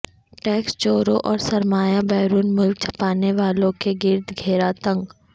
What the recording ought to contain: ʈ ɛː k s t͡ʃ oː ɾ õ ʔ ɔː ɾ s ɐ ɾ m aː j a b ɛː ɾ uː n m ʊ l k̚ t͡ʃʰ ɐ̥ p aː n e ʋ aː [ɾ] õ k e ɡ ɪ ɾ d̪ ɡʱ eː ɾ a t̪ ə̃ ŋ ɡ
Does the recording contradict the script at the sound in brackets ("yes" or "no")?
yes